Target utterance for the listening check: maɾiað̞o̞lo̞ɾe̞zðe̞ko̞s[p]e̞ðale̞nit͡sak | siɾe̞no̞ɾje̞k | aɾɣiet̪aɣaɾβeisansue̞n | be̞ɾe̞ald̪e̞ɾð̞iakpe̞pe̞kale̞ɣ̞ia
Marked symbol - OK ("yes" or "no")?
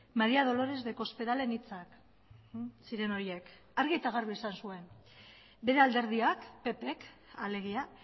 yes